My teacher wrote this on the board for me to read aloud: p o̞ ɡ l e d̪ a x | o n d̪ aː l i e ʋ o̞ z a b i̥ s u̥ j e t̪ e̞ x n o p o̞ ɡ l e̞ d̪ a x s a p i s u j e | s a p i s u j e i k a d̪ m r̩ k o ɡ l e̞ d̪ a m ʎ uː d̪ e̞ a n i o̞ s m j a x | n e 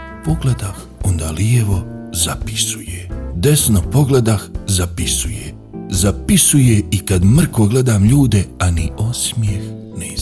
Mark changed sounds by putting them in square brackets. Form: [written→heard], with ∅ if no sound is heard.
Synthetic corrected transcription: p o̞ ɡ l e d̪ a x | o n d̪ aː l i e ʋ o̞ z a [b→p] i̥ s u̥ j e [t̪→d̪] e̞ [x→s] n o p o̞ ɡ l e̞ d̪ a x [s→z] a p i s u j e | [s→z] a p i s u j e i k a d̪ m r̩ k o ɡ l e̞ d̪ a m ʎ uː d̪ e̞ a n i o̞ s m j [a→e] x | n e